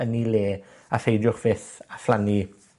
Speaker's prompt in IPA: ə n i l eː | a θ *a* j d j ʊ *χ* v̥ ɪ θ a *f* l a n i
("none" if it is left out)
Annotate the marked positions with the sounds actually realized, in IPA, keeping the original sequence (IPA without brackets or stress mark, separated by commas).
e, χ, f